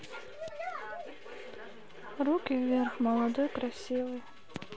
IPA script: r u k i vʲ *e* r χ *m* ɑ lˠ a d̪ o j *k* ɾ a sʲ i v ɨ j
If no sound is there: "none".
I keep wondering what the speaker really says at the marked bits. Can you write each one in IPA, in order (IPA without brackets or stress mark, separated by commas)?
e, m, k